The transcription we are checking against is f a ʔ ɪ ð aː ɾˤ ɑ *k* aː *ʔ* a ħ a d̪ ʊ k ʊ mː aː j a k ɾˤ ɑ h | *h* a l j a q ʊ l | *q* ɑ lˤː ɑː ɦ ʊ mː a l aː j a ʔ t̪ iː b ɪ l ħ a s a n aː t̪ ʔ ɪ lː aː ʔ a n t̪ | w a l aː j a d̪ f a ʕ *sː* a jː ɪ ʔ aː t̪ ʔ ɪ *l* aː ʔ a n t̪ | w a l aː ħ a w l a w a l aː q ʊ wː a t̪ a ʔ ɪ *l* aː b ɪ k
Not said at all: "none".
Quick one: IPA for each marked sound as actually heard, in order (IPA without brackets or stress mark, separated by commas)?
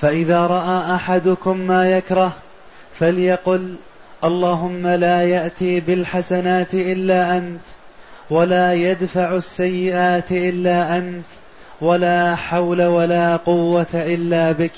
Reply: ʔ, ʔ, f, ʔ, sː, lː, lː